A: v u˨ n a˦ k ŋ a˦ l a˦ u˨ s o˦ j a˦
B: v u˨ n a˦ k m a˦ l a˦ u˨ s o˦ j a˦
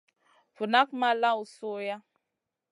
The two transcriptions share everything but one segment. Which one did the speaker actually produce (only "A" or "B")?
B